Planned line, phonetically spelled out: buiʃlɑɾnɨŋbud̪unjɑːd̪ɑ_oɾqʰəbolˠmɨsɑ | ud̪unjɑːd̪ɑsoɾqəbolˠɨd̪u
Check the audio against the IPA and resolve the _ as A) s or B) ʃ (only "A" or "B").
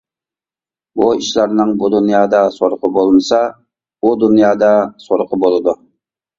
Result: A